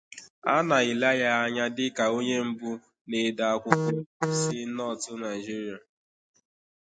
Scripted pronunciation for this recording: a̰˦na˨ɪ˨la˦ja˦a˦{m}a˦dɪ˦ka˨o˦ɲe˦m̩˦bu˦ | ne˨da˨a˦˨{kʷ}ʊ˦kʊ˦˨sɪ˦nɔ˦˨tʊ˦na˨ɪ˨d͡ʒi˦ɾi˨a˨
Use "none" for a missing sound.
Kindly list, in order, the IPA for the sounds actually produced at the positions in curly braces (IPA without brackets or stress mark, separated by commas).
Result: ɲ, kʷ